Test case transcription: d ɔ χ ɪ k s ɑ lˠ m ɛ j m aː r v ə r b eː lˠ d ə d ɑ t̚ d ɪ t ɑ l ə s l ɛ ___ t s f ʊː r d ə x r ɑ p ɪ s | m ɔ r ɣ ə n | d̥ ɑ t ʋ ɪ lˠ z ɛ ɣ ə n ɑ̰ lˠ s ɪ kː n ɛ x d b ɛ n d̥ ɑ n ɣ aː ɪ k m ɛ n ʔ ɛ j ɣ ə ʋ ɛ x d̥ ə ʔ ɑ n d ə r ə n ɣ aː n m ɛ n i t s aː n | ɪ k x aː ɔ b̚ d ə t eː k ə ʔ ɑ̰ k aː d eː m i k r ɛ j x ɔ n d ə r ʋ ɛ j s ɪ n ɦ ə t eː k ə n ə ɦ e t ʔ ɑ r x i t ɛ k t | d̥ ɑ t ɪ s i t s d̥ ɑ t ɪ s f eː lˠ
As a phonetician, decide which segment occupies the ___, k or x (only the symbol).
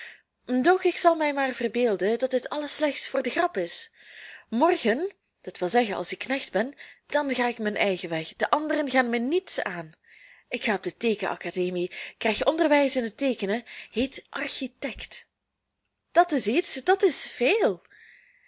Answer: x